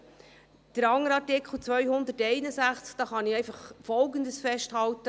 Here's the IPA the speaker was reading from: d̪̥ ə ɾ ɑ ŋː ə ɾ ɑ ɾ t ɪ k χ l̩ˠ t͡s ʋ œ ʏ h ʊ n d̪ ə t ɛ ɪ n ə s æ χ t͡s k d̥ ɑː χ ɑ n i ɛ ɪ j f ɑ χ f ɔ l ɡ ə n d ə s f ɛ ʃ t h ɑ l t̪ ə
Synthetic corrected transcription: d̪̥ ə ɾ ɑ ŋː ə ɾ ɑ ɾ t ɪ k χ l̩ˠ t͡s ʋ œ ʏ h ʊ n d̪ ə t ɛ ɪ n ə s æ χ t͡s k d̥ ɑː χ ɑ n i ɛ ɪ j f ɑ χ f ɔ l ɡ ə n d ə s f ɛ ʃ t h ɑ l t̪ ə